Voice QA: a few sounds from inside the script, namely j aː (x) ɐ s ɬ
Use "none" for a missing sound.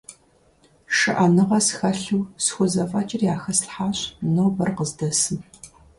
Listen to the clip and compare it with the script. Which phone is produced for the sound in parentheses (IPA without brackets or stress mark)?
x